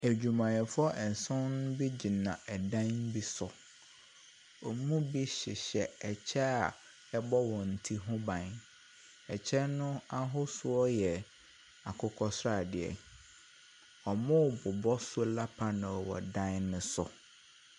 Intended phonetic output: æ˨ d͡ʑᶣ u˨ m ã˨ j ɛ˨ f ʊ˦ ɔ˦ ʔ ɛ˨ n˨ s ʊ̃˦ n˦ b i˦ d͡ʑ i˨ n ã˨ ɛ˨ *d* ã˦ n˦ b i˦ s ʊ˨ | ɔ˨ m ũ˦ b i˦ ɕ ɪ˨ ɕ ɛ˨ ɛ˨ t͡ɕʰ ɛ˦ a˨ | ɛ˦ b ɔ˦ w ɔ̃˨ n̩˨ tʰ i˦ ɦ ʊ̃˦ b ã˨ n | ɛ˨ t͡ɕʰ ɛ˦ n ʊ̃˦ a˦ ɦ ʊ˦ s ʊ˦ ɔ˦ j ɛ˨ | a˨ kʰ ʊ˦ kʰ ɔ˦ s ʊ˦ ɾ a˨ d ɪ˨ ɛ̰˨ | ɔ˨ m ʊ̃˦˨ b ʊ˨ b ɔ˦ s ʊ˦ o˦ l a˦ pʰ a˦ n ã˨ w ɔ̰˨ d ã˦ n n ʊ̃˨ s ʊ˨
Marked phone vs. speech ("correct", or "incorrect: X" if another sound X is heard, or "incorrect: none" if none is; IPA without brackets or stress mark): correct